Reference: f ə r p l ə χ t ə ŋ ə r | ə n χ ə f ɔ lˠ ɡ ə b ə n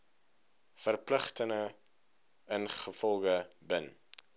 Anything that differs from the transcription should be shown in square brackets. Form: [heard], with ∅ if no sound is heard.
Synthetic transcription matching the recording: f ə r p l ə χ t ə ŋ ə [∅] | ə n χ ə f ɔ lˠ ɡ ə b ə n